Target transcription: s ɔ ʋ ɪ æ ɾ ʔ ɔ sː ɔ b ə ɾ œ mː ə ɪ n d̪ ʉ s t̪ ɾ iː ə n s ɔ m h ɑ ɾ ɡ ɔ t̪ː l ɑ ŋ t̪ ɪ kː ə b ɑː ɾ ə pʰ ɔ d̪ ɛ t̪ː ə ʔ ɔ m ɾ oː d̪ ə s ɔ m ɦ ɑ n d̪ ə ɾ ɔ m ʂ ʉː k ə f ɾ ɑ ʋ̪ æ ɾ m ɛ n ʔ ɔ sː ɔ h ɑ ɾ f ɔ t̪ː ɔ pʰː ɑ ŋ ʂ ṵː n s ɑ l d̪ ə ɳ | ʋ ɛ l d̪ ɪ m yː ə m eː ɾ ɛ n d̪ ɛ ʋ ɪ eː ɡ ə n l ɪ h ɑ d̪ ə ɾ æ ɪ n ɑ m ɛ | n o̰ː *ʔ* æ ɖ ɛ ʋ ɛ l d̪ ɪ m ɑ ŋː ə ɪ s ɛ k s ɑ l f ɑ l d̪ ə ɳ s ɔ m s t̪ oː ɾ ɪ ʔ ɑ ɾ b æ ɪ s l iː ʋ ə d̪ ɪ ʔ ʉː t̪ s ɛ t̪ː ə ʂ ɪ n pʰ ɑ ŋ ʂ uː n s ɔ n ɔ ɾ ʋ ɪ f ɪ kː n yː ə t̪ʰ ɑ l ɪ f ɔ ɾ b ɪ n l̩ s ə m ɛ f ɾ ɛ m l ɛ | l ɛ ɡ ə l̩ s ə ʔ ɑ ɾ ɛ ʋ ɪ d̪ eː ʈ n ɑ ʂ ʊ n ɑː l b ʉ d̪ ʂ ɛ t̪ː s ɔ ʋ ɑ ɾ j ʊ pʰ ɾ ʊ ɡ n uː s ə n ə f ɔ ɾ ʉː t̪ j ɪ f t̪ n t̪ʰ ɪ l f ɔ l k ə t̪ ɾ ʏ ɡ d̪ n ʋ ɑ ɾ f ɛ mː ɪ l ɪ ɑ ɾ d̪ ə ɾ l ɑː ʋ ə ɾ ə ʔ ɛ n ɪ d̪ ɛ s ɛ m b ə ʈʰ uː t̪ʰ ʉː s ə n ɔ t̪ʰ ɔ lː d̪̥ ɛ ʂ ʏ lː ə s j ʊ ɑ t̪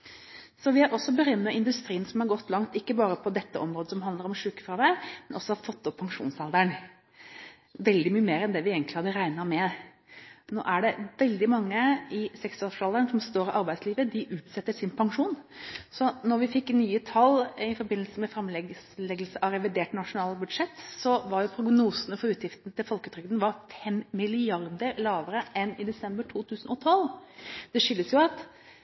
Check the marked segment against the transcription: correct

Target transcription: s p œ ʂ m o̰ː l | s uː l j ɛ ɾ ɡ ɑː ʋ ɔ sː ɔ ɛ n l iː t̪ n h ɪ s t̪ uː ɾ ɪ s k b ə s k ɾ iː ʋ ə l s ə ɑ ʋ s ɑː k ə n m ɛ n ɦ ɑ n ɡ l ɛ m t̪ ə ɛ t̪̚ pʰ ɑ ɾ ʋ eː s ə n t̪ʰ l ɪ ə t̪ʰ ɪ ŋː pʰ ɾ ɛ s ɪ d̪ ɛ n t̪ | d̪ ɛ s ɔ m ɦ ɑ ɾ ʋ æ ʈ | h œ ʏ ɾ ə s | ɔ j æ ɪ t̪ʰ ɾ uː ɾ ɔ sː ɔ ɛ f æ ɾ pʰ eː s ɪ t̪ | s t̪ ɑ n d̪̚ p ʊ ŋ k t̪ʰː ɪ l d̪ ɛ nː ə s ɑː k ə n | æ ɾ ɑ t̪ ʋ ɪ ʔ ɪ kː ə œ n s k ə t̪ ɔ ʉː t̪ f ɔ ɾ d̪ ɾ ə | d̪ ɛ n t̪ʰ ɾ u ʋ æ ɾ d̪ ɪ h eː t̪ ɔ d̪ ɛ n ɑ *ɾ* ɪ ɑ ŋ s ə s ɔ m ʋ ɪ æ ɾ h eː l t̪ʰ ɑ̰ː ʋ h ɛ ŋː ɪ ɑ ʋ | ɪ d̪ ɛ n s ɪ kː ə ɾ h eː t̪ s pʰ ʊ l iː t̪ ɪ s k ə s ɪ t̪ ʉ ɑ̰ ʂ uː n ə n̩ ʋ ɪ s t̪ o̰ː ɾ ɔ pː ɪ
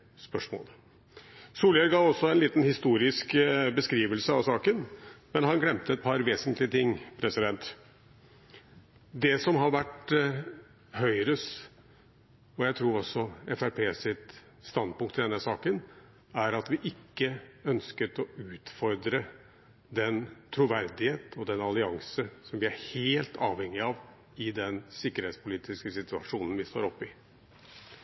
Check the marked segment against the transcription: incorrect: l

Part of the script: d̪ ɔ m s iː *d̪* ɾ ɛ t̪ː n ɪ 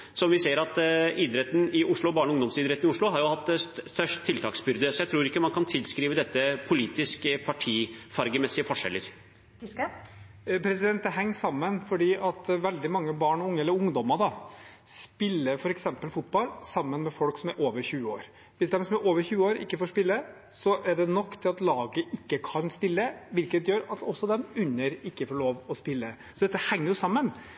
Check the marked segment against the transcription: correct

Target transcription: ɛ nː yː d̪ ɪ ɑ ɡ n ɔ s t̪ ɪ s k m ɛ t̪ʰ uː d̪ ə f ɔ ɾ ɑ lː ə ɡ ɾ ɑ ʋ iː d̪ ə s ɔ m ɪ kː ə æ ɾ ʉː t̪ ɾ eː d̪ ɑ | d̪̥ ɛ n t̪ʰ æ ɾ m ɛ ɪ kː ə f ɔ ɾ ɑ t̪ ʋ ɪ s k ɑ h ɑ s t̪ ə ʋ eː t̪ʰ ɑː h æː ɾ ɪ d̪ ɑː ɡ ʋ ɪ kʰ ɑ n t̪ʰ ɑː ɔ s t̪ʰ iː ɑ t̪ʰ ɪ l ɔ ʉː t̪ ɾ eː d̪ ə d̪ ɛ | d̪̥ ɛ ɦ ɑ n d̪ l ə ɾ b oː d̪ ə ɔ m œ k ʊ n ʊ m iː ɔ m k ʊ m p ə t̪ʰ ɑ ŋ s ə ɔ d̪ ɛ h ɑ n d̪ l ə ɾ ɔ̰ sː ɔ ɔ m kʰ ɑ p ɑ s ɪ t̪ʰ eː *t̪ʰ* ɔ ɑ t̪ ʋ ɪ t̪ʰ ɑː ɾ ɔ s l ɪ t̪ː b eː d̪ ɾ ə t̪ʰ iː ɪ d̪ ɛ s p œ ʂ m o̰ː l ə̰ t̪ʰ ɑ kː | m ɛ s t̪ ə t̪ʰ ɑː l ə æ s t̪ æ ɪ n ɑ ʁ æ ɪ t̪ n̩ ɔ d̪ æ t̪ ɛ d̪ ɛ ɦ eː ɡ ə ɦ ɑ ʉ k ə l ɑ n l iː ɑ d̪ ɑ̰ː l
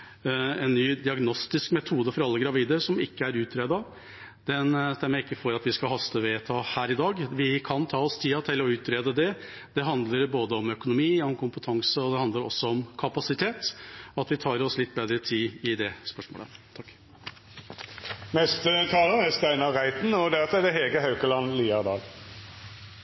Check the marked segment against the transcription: incorrect: t̪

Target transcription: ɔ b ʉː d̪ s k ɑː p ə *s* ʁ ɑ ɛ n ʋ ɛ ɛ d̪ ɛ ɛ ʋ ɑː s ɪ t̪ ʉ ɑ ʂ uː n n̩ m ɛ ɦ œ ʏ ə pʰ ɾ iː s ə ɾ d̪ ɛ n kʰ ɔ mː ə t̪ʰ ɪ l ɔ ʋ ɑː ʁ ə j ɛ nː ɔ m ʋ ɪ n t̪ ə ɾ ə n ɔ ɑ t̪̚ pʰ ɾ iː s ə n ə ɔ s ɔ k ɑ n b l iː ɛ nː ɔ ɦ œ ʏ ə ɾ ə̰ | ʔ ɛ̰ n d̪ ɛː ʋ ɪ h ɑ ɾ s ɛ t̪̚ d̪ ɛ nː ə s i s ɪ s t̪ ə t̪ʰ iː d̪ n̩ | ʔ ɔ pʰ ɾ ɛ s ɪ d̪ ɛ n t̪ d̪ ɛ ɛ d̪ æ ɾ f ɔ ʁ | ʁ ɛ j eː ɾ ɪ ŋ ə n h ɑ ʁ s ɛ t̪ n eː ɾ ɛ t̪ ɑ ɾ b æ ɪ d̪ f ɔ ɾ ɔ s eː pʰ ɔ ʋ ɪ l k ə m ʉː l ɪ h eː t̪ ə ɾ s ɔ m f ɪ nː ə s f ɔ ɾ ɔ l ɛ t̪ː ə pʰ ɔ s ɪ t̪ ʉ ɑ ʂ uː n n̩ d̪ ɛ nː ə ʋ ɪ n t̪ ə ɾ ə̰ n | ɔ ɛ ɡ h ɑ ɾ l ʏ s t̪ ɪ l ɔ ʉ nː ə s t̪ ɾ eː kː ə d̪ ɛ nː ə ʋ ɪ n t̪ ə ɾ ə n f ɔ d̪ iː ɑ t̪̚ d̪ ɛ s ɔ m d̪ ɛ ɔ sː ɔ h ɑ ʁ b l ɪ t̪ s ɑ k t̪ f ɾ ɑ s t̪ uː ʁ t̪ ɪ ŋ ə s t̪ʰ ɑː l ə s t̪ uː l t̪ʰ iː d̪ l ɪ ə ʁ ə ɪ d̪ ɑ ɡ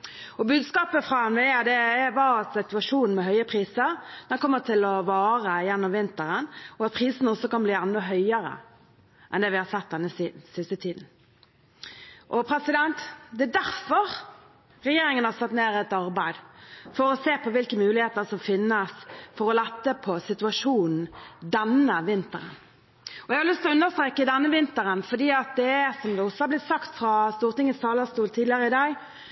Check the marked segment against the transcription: incorrect: f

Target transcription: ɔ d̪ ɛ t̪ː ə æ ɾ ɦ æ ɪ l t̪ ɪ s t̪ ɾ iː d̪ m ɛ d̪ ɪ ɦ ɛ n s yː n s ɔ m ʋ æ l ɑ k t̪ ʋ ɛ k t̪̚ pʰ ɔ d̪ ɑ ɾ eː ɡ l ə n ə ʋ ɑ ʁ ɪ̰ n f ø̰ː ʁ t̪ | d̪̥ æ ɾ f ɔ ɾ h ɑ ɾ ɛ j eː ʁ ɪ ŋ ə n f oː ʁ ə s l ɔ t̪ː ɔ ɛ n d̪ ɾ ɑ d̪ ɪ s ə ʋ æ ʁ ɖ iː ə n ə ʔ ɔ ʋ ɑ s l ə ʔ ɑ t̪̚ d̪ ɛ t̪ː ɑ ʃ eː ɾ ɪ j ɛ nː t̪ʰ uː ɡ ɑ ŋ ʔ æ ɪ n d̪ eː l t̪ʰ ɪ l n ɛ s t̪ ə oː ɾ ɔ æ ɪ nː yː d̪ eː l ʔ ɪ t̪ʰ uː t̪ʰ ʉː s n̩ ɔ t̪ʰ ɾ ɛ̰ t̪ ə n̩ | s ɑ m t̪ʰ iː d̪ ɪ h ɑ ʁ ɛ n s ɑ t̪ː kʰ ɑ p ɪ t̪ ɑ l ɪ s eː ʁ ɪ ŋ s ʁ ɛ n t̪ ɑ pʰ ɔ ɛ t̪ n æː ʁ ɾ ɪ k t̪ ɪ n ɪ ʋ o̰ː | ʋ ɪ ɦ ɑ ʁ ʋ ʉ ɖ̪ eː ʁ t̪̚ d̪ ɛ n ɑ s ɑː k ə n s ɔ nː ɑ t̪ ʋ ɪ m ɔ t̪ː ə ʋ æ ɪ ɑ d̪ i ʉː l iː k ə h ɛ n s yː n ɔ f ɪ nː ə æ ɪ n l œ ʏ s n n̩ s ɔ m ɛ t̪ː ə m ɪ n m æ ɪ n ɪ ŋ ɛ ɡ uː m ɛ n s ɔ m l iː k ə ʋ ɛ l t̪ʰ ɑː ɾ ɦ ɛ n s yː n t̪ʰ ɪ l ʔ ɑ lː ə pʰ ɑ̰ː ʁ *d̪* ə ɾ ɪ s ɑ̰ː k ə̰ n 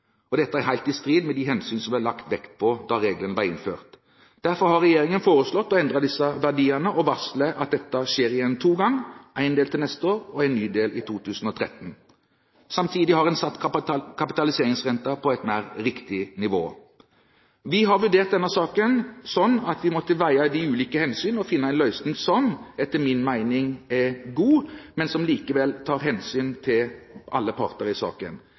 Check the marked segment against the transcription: incorrect: t̪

